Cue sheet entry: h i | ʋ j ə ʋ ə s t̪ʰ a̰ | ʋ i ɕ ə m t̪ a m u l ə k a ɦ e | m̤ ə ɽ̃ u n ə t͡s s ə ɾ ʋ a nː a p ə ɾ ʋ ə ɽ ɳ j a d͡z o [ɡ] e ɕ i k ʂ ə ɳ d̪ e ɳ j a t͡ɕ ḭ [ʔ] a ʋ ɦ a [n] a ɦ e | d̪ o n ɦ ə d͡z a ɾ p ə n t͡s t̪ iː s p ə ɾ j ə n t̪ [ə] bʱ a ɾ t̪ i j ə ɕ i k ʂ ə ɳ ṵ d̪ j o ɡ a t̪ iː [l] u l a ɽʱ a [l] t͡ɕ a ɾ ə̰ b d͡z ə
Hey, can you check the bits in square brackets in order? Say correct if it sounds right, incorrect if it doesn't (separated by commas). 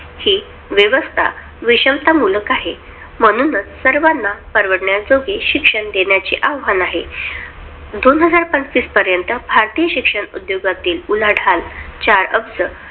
correct, correct, correct, correct, correct, correct